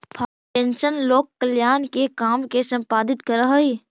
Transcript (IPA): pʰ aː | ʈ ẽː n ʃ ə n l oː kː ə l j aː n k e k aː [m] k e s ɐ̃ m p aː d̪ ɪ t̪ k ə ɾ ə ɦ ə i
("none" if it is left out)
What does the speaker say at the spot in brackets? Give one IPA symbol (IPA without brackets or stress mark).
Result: m